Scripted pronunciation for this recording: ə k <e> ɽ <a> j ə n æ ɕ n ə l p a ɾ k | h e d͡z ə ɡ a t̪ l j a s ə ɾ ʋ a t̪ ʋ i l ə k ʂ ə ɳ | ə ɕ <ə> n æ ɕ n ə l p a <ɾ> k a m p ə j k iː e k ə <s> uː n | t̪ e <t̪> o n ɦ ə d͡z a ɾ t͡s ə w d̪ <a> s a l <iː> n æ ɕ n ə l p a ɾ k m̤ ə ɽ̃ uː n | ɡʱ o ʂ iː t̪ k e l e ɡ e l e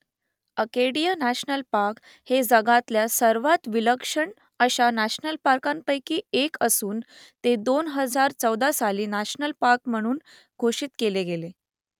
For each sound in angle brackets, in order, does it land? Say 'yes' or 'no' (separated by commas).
yes, no, no, yes, yes, no, yes, yes